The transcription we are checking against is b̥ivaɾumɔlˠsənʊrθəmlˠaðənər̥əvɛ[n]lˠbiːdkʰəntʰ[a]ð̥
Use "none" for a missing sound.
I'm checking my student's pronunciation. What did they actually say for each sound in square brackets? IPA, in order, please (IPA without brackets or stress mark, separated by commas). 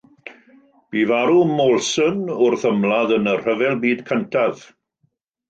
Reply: none, a